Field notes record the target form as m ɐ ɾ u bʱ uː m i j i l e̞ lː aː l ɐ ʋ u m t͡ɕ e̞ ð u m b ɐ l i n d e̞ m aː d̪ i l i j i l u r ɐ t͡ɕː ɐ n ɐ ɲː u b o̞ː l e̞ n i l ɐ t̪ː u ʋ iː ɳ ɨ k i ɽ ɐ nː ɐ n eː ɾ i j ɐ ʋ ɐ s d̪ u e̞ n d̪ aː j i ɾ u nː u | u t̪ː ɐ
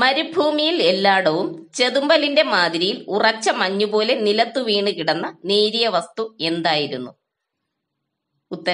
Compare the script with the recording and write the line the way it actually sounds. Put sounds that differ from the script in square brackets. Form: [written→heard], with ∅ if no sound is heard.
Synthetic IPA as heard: m ɐ ɾ u bʱ uː m i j i l e̞ lː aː [l→ɽ] ɐ ʋ u m t͡ɕ e̞ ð u m b ɐ l i n d e̞ m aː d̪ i [l→ɾ] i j i l u r ɐ t͡ɕː ɐ [n→m] ɐ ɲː u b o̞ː l e̞ n i l ɐ t̪ː u ʋ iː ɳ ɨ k i ɽ ɐ nː ɐ n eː ɾ i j ɐ ʋ ɐ s [d̪→t̪] u e̞ n d̪ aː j i ɾ u nː u | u t̪ː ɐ